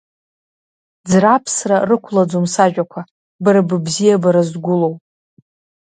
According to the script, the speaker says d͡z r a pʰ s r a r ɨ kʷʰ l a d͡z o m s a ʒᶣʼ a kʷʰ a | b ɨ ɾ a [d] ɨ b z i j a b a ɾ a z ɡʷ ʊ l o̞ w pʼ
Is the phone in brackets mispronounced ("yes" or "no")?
yes